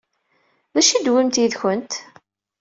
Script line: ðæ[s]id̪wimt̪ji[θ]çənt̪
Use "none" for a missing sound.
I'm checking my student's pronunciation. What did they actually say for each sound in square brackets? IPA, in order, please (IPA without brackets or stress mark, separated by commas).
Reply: ʃ, ð